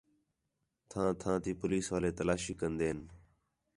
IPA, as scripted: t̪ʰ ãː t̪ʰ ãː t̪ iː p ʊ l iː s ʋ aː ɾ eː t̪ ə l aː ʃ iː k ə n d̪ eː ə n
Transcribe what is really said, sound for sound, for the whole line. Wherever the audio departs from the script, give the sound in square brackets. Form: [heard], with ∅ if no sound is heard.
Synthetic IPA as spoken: t̪ʰ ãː t̪ʰ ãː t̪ iː p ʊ l iː s ʋ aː [l] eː t̪ ə l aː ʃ iː k ə n d̪ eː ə n

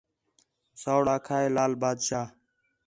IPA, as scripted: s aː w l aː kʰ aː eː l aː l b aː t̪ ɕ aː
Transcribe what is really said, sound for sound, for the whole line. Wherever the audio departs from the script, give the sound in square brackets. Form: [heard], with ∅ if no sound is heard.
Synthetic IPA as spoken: s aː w [ɽ] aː kʰ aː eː l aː l b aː [d̪] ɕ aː

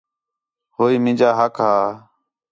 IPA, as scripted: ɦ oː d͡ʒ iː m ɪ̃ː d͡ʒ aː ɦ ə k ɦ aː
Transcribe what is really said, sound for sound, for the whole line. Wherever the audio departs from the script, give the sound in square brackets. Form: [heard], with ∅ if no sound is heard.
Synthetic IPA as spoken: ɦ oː [∅] iː m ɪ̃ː d͡ʒ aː ɦ ə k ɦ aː

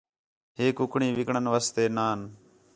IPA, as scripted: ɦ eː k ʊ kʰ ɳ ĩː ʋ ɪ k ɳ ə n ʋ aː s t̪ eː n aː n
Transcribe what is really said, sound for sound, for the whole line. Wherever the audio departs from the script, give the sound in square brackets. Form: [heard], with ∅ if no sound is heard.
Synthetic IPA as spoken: ɦ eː k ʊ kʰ ɳ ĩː ʋ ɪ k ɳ ə n ʋ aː s t̪ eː n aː n

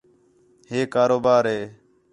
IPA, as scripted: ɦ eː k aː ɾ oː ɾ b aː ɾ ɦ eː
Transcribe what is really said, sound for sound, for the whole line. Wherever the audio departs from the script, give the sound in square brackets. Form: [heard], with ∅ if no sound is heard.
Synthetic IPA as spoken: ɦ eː k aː ɾ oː [∅] b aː ɾ ɦ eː

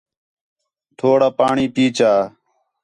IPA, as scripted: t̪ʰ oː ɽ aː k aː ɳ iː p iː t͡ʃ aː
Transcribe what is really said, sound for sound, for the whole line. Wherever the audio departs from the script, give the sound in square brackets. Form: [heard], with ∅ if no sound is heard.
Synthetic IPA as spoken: t̪ʰ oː ɽ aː [p] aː ɳ iː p iː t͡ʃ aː

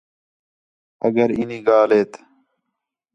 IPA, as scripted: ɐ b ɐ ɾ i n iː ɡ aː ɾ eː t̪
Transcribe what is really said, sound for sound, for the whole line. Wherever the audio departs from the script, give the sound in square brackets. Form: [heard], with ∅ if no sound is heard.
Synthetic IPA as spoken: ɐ [ɡ] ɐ ɾ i n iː ɡ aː [l] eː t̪

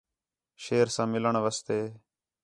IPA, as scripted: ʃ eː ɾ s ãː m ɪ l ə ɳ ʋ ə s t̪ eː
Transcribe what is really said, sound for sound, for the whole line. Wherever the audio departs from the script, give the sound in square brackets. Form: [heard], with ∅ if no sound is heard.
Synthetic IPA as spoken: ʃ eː ɾ s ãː m ɪ l ə ɳ ʋ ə s t̪ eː

